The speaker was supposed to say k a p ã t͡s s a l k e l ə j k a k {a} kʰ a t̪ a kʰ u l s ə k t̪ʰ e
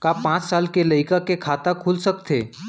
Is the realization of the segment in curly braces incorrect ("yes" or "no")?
yes